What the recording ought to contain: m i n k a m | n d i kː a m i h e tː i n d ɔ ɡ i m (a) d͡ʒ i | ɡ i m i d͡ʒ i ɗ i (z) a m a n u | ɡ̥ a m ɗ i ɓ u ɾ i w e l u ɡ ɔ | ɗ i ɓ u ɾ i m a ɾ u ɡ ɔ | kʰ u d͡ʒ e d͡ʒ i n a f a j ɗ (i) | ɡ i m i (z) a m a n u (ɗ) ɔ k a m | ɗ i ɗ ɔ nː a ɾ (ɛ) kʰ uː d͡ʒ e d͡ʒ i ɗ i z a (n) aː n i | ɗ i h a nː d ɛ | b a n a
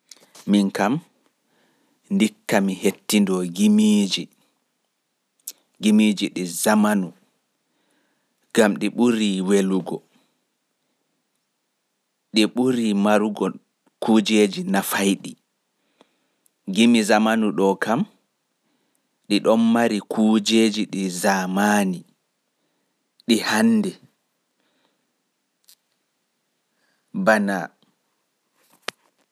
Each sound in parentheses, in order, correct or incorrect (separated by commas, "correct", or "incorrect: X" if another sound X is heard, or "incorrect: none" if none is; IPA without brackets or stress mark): incorrect: i, correct, correct, correct, correct, incorrect: i, incorrect: m